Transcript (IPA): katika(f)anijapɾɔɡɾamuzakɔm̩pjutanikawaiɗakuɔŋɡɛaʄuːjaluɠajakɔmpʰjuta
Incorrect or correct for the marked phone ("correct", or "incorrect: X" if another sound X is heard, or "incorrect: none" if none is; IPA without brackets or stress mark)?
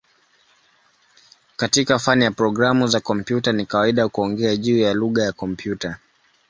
correct